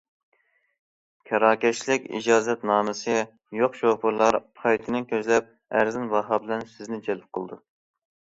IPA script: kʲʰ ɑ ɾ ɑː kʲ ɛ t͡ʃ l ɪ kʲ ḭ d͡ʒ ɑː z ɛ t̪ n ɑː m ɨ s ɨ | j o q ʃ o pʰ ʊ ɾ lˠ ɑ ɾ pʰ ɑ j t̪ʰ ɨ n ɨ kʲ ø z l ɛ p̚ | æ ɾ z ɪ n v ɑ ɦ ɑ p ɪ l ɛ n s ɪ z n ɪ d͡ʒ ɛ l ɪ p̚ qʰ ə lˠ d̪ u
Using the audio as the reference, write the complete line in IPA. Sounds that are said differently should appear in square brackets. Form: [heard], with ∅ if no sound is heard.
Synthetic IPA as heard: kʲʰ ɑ ɾ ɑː kʲ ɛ t͡ʃ l ɪ kʲ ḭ d͡ʒ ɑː z ɛ t̪ n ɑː m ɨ s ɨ | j o q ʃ o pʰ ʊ ɾ lˠ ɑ ɾ pʰ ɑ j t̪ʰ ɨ n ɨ kʲ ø z l ɛ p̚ | æ ɾ z ɪ n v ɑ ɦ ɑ [b] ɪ l ɛ n s ɪ z n ɪ d͡ʒ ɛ l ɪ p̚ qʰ ə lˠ d̪ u